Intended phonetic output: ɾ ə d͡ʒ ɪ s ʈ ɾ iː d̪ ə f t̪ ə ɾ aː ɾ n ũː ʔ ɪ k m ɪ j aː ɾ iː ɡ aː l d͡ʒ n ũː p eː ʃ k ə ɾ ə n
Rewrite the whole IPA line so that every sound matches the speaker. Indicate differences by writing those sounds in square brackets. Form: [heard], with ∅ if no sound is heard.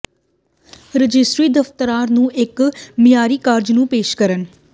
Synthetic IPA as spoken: ɾ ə d͡ʒ ɪ s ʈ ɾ iː d̪ ə f t̪ ə ɾ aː ɾ n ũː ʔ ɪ k m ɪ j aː ɾ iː [k] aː [ɾ] d͡ʒ n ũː p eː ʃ k ə ɾ ə n